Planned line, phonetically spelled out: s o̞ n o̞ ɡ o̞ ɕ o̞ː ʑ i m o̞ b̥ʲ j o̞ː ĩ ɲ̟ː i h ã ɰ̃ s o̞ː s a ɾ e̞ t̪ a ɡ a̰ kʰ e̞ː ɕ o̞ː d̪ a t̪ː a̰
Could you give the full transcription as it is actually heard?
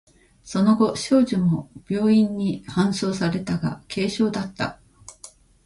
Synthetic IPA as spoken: s o̞ n o̞ ɡ o̞ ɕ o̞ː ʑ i m o̞ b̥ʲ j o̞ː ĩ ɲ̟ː i h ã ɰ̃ s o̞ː s a ɾ e̞ t̪ a ɡ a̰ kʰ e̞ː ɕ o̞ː d̪ a t̪ː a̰